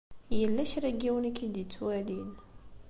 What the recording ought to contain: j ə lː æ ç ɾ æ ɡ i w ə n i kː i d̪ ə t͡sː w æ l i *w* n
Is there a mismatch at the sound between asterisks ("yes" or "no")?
yes